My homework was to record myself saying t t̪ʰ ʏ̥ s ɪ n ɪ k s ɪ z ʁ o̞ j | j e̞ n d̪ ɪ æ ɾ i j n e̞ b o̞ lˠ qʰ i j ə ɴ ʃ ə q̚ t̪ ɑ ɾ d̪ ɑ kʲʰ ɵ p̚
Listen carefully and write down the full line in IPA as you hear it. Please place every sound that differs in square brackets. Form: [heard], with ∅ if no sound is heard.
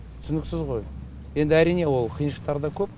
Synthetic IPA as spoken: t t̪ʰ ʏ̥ s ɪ n ɪ k s ɪ z ʁ o̞ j | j e̞ n d̪ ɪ æ ɾ i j n e̞ [w] o̞ lˠ qʰ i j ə [n] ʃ ə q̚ t̪ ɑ ɾ d̪ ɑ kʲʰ ɵ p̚